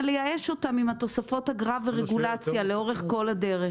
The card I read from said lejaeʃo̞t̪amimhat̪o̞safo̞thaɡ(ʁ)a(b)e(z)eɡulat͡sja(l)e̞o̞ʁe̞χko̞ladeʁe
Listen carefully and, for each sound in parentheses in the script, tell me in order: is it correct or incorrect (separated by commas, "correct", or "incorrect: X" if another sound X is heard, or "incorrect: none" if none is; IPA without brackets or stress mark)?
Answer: correct, incorrect: v, incorrect: ʁ, correct